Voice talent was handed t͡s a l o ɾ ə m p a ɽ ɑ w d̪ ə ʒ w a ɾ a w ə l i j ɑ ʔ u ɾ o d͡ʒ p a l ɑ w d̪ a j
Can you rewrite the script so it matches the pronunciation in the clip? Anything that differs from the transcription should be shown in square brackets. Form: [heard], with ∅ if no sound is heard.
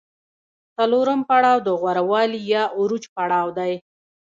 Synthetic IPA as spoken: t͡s a l o ɾ ə m p a ɽ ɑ w d̪ ə [ɣ] w a ɾ a w [ɑ] l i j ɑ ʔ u ɾ [u] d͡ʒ p a [ɽ] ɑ w d̪ a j